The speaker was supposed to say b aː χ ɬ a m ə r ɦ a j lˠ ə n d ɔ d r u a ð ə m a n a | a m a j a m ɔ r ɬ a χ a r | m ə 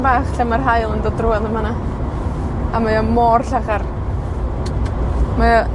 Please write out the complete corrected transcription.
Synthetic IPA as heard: b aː χ ɬ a m a r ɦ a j lˠ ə n d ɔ d r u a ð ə m a n a | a m a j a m ɔ r ɬ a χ a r | m a

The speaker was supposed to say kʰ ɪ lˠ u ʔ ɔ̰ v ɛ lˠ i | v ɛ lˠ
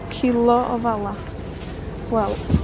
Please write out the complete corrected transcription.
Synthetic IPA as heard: kʰ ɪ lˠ ɔ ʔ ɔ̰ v a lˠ a | w ɛ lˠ

